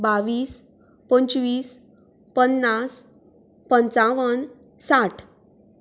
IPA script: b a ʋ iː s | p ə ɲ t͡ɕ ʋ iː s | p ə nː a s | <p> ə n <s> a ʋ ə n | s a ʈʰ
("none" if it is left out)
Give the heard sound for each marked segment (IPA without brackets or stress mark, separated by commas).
p, t͡s